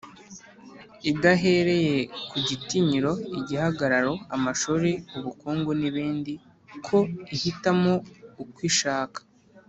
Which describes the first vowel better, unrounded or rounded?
unrounded